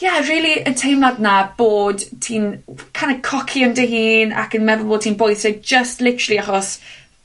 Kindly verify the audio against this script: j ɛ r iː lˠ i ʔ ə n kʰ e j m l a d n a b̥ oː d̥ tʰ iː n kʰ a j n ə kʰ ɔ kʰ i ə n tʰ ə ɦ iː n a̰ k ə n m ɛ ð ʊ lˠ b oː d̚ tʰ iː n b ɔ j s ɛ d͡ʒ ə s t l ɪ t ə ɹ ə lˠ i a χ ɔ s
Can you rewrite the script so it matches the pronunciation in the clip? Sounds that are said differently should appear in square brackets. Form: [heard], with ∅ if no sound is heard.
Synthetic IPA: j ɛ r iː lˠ i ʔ ə n [tʰ] e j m l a d n a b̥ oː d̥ tʰ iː n kʰ a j n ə kʰ ɔ kʰ i ə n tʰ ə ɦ iː n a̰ k ə n m ɛ ð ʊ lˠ b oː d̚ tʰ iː n b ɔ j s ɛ d͡ʒ ə s t l ɪ t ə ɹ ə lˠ i a χ ɔ s

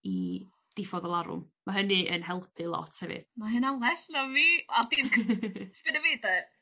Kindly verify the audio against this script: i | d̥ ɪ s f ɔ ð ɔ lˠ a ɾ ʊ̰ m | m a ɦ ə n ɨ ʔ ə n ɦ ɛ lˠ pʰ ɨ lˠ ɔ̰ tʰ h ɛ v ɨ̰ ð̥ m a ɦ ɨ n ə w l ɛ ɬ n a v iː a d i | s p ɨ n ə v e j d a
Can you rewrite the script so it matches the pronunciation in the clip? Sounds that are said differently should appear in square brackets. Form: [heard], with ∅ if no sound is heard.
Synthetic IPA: i | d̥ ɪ [∅] f ɔ ð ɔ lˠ a ɾ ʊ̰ m | m a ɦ ə n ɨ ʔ ə n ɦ ɛ lˠ pʰ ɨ lˠ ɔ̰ tʰ h ɛ v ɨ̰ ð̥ m a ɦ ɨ n [a] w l ɛ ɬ n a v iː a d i | s p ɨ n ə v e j d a

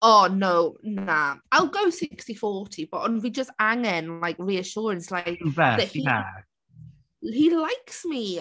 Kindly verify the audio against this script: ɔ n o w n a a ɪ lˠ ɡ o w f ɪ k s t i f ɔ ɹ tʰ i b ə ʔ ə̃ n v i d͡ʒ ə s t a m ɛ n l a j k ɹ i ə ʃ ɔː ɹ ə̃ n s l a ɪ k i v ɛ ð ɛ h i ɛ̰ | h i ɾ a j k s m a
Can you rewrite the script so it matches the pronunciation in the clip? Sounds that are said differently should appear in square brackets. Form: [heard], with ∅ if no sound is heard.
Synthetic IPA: ɔ n o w n a a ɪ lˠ ɡ o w [s] ɪ k s t i f ɔ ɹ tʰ i b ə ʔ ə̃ n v i d͡ʒ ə s t a [ŋ] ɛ n l a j k ɹ i ə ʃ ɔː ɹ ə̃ n s l a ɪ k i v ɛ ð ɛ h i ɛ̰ | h i [l] a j k s m [i]

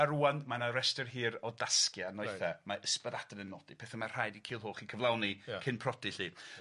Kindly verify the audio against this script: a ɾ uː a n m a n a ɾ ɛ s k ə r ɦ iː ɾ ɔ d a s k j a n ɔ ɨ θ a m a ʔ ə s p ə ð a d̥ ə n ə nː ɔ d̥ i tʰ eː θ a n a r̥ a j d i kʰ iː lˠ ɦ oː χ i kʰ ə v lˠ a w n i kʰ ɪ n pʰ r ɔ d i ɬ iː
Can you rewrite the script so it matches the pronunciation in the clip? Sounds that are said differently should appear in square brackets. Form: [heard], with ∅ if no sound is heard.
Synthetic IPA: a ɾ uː a n m a n a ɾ ɛ s [t] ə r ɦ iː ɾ ɔ d a s k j a n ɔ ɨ θ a m a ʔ ə s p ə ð a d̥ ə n ə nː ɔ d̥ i [pʰ] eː θ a [m] a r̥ a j d i kʰ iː lˠ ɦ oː χ i kʰ ə v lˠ a w n i kʰ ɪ n pʰ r ɔ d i ɬ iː

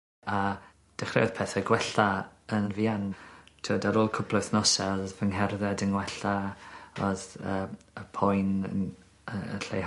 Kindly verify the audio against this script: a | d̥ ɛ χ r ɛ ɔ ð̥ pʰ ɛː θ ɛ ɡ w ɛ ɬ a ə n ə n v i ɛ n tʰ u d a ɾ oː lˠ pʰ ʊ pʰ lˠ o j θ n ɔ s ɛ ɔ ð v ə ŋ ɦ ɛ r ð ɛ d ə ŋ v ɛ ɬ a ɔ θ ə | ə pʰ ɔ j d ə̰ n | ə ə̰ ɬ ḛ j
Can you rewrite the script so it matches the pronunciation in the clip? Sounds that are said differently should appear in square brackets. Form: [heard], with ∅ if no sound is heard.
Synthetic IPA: a | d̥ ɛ χ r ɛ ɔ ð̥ pʰ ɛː θ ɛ ɡ w ɛ ɬ a ə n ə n v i [a] n tʰ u d a ɾ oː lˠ [kʰ] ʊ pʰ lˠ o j θ n ɔ s ɛ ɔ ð v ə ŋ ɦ ɛ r ð ɛ d ə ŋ [w] ɛ ɬ a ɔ [ð] ə | ə pʰ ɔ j [n] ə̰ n | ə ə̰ ɬ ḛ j

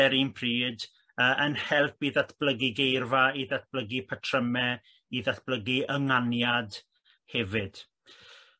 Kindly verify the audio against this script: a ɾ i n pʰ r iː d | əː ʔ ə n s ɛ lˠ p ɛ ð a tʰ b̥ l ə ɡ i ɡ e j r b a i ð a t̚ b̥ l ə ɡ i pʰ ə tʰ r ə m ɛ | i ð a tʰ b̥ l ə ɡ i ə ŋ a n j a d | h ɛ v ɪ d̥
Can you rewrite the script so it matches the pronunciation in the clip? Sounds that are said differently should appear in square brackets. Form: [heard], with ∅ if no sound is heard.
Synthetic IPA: [ɛ] ɾ i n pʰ r iː d | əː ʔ ə n [h] ɛ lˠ p [i] ð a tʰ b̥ l ə ɡ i ɡ e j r [v] a i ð a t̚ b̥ l ə ɡ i pʰ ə tʰ r ə m ɛ | i ð a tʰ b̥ l ə ɡ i ə ŋ a n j a d | h ɛ v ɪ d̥

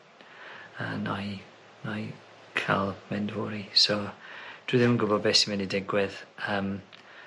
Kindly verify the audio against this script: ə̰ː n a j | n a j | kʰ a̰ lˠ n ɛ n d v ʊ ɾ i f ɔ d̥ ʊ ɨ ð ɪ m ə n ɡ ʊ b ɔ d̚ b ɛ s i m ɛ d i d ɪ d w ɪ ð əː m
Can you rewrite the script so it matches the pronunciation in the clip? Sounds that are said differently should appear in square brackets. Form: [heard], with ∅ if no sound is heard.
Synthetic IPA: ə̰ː n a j | n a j | kʰ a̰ lˠ [m] ɛ n d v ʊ ɾ i [s] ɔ d̥ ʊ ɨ ð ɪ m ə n ɡ ʊ b ɔ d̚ b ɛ s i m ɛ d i d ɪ [ɡ] w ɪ ð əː m

